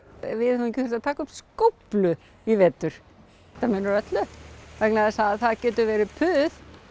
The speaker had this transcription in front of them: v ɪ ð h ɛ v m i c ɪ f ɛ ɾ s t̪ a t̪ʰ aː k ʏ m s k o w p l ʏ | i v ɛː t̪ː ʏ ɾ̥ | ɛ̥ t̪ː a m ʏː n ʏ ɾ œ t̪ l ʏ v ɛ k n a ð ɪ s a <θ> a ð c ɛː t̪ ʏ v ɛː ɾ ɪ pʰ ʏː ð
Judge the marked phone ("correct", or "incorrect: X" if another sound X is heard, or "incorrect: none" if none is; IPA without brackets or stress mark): correct